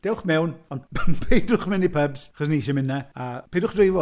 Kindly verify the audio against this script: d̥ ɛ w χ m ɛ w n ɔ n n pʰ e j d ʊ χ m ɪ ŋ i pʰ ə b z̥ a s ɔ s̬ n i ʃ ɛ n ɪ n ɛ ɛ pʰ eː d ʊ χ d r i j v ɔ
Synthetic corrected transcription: d̥ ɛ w χ m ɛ w n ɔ n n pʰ e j d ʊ χ m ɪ n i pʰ ə b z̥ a χ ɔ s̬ n i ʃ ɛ m ɪ n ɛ a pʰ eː d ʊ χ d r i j v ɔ

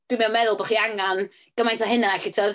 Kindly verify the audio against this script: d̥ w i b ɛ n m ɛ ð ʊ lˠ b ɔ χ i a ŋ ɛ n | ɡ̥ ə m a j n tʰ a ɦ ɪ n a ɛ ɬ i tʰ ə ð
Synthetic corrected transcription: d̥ w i m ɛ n m ɛ ð ʊ lˠ b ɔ χ i a ŋ a n | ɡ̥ ə m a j n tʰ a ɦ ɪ n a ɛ ɬ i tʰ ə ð

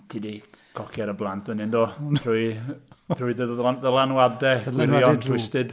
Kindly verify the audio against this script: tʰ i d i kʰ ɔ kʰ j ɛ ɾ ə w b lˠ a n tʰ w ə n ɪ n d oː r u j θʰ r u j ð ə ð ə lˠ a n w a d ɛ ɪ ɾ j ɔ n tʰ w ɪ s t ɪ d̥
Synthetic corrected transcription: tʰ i d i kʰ ɔ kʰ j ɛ ɾ ə b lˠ a n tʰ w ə n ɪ n d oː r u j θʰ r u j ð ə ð ə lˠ a n w a d ɛ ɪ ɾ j ɔ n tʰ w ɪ s t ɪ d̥

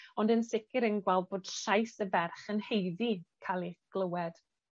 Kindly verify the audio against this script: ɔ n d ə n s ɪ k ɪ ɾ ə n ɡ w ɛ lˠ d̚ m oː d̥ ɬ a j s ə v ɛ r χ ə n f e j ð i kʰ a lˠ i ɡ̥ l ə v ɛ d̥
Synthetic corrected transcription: ɔ n d ə n s ɪ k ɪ ɾ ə n ɡ w ɛ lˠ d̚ b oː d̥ ɬ a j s ə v ɛ r χ ə n h e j ð i kʰ a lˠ i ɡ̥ l ə w ɛ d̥

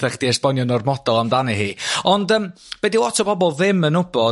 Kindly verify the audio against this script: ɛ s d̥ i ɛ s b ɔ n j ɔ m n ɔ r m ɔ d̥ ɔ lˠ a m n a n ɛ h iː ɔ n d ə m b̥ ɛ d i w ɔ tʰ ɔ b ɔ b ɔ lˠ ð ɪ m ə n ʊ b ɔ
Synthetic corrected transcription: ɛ χ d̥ i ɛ s b ɔ n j ɔ n ɔ r m ɔ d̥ ɔ lˠ a m d a n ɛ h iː ɔ n d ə m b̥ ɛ d i w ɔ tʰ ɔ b ɔ b ɔ lˠ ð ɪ m ə n ʊ b ɔ

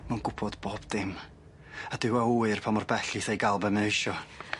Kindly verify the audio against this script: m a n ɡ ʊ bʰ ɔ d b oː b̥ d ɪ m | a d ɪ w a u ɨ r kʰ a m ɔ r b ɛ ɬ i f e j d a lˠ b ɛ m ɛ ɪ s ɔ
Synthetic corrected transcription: m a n ɡ ʊ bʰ ɔ d b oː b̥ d ɪ m | a d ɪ w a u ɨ r pʰ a m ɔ r b ɛ ɬ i θ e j ɡ a lˠ b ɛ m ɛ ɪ ʃ ɔ

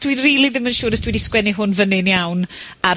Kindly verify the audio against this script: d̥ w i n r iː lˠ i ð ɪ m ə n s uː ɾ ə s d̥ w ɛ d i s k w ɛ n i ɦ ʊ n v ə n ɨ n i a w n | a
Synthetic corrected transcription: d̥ w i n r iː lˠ i ð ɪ m ə n ʃ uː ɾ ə s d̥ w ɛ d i s k w ɛ n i ɦ ʊ n v ə n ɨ n j a w n | a

